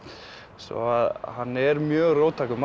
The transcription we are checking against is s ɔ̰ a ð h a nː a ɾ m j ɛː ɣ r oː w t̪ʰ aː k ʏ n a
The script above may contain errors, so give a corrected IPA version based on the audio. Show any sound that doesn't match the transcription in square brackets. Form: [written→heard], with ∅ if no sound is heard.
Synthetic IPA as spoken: s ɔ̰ a ð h a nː [a→ɛ] ɾ m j [ɛː→œː] ɣ r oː w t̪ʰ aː k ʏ [n→m] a